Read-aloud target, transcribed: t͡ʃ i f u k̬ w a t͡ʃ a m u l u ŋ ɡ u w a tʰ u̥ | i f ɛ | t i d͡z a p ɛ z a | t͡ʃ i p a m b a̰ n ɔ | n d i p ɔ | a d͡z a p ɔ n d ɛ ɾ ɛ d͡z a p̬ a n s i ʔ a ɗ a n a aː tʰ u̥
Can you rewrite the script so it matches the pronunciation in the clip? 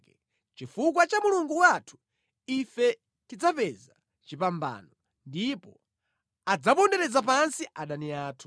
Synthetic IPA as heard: t͡ʃ i f u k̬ w a t͡ʃ a m u l u ŋ ɡ u w a tʰ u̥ | i f ɛ | t i d͡z a p ɛ z a | t͡ʃ i p a m b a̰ n ɔ | n d i p ɔ | a d͡z a p ɔ n d ɛ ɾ ɛ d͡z a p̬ a n s i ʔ a ɗ a n i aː tʰ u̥